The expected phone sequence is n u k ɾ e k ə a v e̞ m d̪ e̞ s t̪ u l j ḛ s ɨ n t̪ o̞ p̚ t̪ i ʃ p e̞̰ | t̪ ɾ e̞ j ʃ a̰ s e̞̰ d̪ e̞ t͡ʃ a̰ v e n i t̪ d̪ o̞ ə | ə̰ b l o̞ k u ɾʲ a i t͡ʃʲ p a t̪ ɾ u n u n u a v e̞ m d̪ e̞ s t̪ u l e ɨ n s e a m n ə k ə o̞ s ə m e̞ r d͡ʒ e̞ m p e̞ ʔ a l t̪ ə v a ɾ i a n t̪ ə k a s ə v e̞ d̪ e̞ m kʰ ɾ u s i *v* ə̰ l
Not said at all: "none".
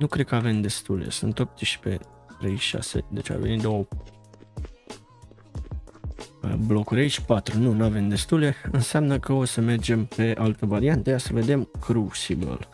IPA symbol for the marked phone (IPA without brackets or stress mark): b